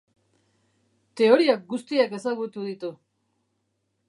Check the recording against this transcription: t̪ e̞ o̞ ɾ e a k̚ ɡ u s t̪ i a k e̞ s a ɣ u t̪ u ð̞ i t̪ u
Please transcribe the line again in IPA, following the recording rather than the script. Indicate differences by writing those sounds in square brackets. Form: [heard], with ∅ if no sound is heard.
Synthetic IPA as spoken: t̪ e̞ o̞ ɾ [i] a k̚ ɡ u s t̪ i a k e̞ s a ɣ u t̪ u ð̞ i t̪ u